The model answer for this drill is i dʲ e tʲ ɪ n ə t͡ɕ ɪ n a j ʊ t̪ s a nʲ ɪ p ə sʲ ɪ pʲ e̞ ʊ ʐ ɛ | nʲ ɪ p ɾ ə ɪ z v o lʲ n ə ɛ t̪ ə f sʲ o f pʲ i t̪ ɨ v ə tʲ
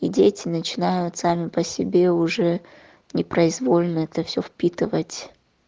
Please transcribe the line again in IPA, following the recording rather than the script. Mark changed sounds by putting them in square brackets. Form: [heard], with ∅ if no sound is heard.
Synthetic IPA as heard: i dʲ e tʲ ɪ n ə t͡ɕ ɪ n a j ʊ t̪ s a [mʲ] ɪ p ə sʲ ɪ [bʲ] e̞ ʊ ʐ ɛ | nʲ ɪ p ɾ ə ɪ z v o lʲ n ə ɛ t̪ ə f sʲ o f pʲ i t̪ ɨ v ə tʲ